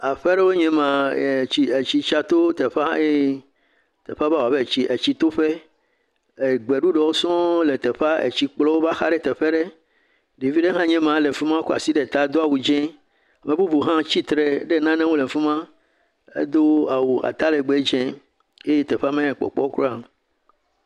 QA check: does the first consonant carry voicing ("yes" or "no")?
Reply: no